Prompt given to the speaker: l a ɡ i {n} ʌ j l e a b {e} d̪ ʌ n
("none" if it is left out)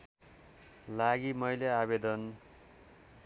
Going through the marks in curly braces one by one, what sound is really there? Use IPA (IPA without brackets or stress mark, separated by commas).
m, e